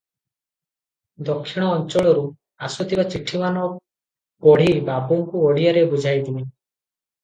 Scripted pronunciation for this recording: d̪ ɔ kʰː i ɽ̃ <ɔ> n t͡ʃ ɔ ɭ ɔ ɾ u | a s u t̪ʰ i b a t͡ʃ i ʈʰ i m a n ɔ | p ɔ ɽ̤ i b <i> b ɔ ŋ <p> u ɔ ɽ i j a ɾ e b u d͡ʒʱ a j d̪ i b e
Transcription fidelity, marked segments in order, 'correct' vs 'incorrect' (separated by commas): incorrect, incorrect, incorrect